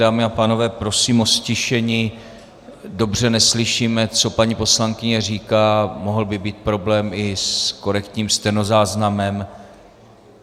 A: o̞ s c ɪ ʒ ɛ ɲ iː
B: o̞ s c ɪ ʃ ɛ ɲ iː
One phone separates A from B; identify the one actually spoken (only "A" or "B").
B